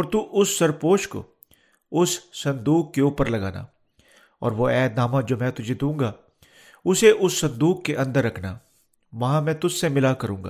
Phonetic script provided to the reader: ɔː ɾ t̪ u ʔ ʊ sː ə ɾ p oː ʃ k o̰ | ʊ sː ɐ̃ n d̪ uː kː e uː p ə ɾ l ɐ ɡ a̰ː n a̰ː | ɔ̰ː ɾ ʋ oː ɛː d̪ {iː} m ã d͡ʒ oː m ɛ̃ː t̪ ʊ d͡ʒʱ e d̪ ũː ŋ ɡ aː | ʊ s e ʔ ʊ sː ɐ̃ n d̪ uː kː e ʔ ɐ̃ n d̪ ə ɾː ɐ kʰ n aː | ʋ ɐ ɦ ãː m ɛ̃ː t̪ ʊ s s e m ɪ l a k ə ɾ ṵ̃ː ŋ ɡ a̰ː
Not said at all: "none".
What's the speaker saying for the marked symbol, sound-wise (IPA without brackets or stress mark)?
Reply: aː